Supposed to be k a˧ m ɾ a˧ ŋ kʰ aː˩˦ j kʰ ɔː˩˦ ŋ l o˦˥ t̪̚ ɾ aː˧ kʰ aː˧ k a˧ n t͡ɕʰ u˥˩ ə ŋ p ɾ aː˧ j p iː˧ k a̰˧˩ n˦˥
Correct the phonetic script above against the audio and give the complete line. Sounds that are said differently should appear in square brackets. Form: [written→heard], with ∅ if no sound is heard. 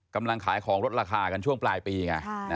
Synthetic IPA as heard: k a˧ m [ɾ→l] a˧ ŋ kʰ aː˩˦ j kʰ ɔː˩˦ ŋ [l→ɾ] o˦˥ t̪̚ ɾ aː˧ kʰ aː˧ k a˧ n t͡ɕʰ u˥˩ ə ŋ p [ɾ→l] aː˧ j p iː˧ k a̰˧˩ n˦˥